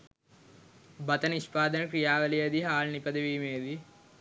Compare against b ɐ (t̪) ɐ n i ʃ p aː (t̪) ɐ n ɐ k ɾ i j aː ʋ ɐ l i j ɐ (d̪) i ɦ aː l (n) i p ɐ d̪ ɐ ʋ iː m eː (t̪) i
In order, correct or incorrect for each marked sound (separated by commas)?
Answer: correct, incorrect, correct, correct, incorrect